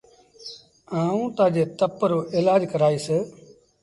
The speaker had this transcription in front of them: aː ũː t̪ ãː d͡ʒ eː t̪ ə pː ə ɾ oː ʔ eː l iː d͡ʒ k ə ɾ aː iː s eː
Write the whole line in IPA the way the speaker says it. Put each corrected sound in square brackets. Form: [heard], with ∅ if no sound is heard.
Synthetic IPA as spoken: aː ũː t̪ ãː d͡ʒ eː t̪ ə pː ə ɾ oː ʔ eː l [aː] d͡ʒ k ə ɾ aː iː s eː